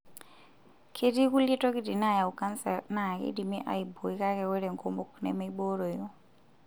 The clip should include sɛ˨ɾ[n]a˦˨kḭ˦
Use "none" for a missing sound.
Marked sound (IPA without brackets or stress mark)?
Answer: n